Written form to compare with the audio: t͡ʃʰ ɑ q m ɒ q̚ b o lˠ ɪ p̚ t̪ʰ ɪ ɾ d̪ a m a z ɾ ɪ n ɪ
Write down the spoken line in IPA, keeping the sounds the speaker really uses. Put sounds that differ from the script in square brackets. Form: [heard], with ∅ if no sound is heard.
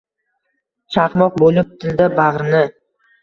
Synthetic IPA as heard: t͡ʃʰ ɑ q m ɒ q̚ b o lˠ ɪ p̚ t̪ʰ ɪ [l] d̪ a [b] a [ʁ] ɾ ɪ n ɪ